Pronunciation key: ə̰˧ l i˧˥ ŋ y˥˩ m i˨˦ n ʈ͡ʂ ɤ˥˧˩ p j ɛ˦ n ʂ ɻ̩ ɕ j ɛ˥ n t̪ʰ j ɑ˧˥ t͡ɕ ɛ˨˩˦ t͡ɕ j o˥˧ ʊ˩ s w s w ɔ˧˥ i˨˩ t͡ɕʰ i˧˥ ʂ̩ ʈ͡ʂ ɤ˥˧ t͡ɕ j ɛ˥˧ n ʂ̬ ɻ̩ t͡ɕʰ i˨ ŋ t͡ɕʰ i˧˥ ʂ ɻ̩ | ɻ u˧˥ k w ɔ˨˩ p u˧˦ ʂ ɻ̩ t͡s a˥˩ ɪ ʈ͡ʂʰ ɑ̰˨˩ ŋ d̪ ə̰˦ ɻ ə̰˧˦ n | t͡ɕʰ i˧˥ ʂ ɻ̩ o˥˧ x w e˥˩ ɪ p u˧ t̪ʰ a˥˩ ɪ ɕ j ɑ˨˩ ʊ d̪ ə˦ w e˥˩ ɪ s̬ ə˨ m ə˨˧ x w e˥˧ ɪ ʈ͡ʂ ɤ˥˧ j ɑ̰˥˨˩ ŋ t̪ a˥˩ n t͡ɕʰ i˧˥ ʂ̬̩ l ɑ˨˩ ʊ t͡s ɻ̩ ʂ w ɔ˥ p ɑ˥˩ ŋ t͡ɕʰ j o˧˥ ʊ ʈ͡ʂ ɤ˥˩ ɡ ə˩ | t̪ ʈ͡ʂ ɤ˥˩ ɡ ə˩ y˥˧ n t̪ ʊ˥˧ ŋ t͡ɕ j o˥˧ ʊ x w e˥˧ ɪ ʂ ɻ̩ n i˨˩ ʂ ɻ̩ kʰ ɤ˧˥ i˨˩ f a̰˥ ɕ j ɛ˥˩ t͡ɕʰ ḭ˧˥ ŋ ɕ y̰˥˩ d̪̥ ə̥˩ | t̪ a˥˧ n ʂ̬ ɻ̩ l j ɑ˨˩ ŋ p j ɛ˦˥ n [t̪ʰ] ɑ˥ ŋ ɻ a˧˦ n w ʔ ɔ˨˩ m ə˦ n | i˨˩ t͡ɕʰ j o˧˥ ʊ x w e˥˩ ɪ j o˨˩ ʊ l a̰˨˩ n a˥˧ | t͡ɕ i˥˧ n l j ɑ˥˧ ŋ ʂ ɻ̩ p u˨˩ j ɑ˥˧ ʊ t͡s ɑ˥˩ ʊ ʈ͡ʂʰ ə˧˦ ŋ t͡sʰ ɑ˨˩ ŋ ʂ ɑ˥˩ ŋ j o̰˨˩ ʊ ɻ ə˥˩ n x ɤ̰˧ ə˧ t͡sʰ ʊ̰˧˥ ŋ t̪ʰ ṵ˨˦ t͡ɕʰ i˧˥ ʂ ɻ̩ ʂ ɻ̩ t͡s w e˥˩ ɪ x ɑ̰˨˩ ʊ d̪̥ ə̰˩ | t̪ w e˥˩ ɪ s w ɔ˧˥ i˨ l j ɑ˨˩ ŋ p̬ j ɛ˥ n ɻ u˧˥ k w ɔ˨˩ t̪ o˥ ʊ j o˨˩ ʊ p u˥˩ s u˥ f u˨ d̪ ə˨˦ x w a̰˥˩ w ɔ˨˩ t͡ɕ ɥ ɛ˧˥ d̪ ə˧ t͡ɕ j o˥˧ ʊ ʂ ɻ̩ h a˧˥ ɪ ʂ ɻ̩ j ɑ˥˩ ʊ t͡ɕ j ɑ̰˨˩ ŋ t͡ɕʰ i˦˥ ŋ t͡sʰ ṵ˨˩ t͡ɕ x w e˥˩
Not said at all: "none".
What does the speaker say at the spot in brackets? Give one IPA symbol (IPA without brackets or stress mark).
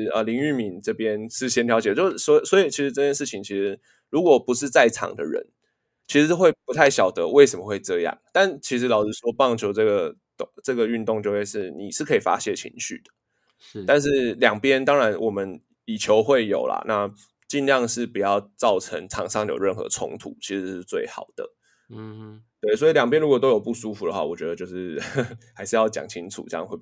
t̪